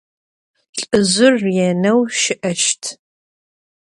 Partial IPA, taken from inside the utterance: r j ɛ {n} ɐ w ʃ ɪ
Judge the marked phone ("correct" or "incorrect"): correct